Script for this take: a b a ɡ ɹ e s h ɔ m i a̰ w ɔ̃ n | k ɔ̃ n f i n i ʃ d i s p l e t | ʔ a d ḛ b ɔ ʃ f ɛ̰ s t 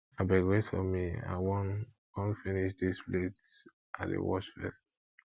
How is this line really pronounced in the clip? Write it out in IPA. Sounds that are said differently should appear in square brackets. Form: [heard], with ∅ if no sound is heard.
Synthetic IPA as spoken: a b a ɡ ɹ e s [f] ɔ m i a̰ w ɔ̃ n | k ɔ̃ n f i n i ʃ d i s p l e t | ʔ a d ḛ [w] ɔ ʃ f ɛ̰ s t

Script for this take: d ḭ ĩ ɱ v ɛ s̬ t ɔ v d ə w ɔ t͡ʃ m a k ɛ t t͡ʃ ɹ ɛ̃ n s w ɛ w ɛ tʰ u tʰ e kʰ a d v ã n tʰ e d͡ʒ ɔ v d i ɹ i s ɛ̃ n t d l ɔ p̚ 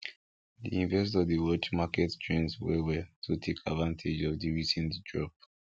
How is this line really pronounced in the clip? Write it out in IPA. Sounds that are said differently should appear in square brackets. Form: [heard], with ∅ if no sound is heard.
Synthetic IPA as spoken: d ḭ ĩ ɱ v ɛ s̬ t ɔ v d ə w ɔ t͡ʃ m a k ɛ t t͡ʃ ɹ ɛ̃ n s w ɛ w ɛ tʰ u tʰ e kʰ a d v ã n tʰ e d͡ʒ ɔ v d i ɹ i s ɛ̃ n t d [ɹ] ɔ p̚

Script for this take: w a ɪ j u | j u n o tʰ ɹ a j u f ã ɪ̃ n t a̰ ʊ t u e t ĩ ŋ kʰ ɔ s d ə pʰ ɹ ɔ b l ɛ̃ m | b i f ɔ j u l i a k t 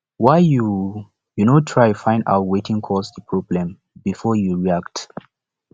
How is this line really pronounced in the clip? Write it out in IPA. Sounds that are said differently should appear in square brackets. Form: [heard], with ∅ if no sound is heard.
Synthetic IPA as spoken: w a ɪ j u | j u n o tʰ ɹ a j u f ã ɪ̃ n [d] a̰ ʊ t [w] e t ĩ ŋ kʰ ɔ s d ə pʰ ɹ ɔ b l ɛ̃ m | b i f ɔ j u [ɹ] i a k t

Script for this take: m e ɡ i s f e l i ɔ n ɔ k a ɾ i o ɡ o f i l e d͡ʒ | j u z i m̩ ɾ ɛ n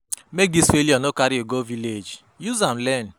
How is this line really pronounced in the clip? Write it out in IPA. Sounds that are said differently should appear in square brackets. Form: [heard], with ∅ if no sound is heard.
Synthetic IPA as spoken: m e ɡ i s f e l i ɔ n [o] k a ɾ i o ɡ o [v] i l e d͡ʒ | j u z [a] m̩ [l] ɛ n

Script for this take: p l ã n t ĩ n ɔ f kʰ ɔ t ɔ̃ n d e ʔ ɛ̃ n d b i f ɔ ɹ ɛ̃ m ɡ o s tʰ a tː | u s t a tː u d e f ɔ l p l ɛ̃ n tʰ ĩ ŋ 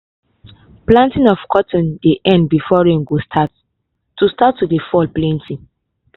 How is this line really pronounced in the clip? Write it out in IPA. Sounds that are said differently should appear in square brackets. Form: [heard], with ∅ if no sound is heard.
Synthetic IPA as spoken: p l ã n t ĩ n ɔ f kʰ ɔ t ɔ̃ n d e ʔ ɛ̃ n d b i f ɔ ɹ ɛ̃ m ɡ o s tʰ a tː | u s t a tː u d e f ɔ l p l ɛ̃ n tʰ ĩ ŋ

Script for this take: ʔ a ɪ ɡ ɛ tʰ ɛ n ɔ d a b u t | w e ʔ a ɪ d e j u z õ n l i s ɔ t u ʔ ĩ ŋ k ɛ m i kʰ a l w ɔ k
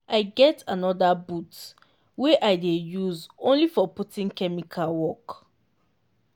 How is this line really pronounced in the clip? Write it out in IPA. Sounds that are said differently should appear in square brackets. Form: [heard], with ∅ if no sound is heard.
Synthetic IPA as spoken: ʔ a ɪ ɡ ɛ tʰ [a] n ɔ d a b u t | w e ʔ a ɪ d e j u z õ n l i [f] ɔ [p] u [t] ĩ ŋ k ɛ m i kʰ a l w ɔ k

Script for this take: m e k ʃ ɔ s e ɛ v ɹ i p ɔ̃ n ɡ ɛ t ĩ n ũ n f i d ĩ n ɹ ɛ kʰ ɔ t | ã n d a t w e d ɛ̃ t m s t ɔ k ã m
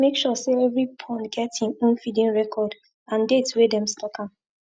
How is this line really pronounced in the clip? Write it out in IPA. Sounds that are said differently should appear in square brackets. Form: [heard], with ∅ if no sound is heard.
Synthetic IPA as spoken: m e k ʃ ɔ s e ɛ v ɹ i [pʰ] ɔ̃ n ɡ ɛ t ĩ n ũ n f i d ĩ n ɹ ɛ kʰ ɔ [d] | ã n d [e] t w e d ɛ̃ [∅] m s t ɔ k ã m

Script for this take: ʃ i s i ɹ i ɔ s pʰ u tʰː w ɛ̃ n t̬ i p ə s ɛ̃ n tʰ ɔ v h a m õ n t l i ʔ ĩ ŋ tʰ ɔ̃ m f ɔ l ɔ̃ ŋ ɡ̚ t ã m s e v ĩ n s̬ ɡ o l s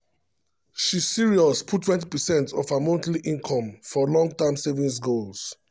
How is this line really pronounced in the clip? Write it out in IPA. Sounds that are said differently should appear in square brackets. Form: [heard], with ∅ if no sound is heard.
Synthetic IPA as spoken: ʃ i s i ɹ i ɔ s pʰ u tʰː w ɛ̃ n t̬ i p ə s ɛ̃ n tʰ ɔ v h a m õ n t l i ʔ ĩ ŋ [kʰ] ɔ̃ m f ɔ l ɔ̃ ŋ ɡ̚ t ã m s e v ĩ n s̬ ɡ o l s

